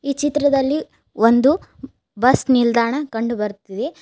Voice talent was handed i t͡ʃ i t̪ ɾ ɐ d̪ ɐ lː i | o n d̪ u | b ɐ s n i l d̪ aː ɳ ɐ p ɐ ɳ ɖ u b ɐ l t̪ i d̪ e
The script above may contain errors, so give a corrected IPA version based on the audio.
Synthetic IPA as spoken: iː t͡ʃ i t̪ ɾ ɐ d̪ ɐ lː i | o n d̪ u | b ɐ s n i l d̪ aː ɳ ɐ k ɐ ɳ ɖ u b ɐ ɾ t̪ i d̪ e